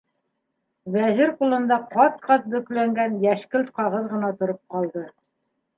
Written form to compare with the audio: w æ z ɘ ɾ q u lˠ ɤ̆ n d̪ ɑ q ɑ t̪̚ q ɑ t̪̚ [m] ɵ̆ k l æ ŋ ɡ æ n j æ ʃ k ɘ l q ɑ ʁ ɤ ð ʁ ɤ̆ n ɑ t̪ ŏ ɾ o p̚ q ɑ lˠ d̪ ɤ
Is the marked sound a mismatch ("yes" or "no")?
yes